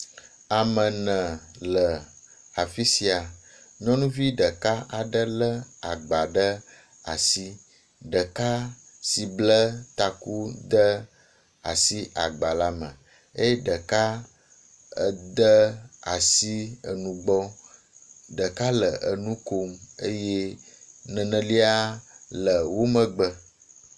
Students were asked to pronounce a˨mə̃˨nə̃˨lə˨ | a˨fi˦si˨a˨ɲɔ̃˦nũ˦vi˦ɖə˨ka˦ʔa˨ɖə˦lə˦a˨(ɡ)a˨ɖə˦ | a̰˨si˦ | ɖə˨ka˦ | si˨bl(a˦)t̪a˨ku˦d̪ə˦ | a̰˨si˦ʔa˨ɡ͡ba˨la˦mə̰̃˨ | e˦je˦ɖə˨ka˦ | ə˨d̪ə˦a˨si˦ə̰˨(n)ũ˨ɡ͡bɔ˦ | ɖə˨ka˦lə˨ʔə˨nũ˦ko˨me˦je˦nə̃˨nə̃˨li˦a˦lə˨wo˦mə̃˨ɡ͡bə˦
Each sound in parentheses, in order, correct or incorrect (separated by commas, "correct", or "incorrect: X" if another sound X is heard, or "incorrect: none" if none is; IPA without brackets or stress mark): incorrect: ɡ͡b, incorrect: ə˦, correct